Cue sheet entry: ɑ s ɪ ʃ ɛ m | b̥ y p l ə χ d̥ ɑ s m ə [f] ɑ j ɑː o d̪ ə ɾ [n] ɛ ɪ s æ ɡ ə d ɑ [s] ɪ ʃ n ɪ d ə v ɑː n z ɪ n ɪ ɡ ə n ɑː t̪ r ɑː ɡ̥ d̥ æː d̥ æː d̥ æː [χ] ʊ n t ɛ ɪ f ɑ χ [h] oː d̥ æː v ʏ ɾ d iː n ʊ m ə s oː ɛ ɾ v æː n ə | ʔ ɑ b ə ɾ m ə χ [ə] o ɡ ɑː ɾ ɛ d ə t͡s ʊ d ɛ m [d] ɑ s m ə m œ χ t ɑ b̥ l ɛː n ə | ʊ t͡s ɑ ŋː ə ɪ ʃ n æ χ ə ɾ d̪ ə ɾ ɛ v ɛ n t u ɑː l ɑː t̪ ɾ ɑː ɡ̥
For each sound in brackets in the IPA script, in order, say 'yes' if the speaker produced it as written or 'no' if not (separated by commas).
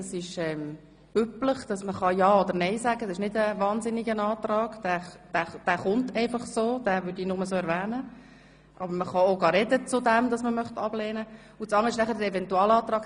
no, yes, yes, yes, no, no, yes